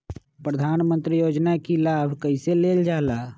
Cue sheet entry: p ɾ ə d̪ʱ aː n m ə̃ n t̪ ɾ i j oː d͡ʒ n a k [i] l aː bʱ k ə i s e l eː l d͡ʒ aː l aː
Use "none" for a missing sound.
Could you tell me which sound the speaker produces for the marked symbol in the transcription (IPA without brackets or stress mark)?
i